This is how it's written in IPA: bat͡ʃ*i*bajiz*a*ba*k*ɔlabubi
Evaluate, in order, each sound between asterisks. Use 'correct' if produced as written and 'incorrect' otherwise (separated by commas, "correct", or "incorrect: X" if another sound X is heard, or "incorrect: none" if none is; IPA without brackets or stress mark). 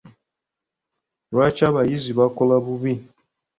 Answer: incorrect: a, incorrect: i, correct